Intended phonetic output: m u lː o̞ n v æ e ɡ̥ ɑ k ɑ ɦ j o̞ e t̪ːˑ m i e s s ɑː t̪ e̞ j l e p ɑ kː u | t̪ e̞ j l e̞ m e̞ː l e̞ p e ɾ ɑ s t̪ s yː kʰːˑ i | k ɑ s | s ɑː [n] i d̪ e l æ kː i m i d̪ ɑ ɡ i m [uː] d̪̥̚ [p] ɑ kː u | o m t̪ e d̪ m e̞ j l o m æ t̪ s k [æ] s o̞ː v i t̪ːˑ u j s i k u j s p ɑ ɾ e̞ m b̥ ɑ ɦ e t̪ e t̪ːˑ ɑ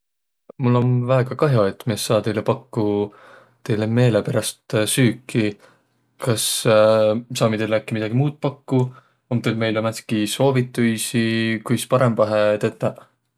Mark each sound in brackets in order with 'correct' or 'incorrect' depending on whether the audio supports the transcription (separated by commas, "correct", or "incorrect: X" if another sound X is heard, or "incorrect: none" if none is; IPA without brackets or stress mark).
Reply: incorrect: m, correct, correct, incorrect: i